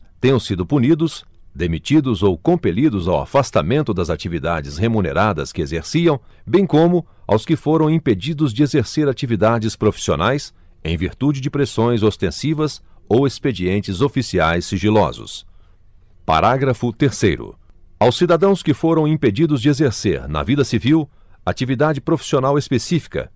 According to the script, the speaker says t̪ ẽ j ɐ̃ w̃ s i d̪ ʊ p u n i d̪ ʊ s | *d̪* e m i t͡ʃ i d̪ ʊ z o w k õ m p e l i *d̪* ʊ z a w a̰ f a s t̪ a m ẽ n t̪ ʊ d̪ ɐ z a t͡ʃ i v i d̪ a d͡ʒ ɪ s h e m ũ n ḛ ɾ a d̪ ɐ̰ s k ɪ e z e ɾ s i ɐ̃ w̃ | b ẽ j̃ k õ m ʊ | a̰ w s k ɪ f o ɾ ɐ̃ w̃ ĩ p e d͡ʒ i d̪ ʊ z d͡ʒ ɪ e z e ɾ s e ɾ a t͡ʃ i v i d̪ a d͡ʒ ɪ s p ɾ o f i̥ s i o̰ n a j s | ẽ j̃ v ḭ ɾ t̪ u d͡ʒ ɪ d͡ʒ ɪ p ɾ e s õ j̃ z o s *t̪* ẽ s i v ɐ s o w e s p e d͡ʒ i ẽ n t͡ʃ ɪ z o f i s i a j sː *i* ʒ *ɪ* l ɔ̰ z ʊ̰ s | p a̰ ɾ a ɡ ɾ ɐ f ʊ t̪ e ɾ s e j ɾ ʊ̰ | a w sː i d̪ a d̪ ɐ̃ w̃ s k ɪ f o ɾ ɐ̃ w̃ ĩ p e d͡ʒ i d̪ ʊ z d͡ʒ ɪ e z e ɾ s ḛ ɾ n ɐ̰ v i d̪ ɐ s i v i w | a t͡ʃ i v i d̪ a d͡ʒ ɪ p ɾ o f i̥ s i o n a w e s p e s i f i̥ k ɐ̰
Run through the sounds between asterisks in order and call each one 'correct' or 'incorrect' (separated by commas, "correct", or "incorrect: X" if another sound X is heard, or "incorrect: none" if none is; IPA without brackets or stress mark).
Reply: correct, correct, correct, correct, incorrect: i